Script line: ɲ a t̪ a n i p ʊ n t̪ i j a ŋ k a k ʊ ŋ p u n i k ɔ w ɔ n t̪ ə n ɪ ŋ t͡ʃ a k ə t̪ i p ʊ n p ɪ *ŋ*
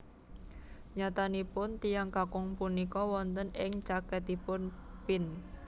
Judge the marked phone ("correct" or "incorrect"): incorrect